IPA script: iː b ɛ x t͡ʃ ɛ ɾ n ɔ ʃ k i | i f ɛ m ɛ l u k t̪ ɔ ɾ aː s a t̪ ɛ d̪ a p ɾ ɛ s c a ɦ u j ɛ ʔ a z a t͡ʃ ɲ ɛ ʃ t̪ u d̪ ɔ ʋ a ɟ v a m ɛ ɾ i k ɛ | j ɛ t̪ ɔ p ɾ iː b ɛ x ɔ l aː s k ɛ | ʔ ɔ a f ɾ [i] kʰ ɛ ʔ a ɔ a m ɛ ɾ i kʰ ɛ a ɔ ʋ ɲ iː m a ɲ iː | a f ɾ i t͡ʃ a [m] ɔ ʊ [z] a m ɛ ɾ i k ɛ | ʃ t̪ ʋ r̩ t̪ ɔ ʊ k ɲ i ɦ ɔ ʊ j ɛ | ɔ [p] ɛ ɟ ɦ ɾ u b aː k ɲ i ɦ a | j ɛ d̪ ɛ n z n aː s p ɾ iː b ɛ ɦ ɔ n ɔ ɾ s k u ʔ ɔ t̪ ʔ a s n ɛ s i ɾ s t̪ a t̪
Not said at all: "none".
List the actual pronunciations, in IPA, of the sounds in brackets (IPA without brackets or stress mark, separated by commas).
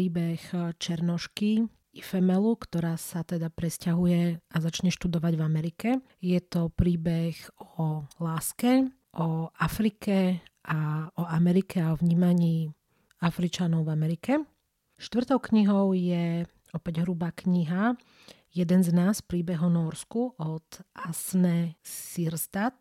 i, n, v, p